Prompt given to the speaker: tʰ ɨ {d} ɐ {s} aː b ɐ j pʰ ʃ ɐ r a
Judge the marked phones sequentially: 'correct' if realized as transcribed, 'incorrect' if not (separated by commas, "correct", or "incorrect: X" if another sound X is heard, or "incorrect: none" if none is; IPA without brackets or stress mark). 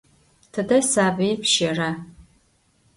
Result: correct, correct